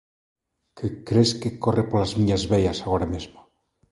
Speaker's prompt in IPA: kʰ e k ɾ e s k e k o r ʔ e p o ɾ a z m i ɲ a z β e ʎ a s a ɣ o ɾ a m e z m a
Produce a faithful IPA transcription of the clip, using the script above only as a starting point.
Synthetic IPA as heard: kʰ e k ɾ e s k e k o r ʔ e p o l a z m i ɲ a z β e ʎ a s a ɣ o ɾ a m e z m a